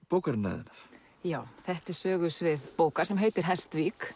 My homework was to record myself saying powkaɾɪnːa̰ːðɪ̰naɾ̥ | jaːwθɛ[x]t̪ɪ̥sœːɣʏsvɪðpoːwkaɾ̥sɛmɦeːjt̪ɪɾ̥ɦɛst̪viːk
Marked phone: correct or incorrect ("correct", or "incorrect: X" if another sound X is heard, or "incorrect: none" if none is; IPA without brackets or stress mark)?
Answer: incorrect: h